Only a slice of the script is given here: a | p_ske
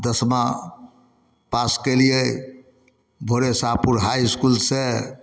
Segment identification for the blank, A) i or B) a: B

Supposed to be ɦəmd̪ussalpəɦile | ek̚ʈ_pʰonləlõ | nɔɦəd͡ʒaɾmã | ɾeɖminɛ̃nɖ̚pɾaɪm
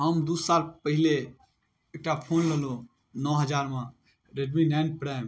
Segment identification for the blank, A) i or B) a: B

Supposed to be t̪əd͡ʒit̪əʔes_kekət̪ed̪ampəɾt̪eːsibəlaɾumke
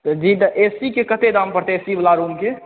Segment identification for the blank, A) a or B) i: B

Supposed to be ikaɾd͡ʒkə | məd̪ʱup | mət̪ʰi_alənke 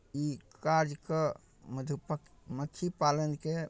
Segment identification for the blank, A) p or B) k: A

